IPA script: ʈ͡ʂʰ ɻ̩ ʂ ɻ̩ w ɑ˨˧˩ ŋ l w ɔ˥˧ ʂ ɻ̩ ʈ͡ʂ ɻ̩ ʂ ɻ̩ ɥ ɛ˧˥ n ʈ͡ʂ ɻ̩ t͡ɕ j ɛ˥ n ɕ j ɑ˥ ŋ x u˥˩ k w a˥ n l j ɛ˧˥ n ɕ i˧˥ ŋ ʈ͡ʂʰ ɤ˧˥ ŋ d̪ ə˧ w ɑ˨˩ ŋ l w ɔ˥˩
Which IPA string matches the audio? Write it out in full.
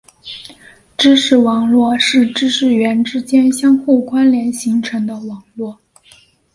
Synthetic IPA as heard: ʈ͡ʂ ɻ̩ ʂ ɻ̩ w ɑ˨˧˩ ŋ l w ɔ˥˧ ʂ ɻ̩ ʈ͡ʂ ɻ̩ ʂ ɻ̩ ɥ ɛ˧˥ n ʈ͡ʂ ɻ̩ t͡ɕ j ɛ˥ n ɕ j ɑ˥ ŋ x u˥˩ k w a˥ n l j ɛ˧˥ n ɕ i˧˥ ŋ ʈ͡ʂʰ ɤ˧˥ ŋ d̪ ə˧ w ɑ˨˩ ŋ l w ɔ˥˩